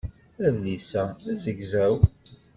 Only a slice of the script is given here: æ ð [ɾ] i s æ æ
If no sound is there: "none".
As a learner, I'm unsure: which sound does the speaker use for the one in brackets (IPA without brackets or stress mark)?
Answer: l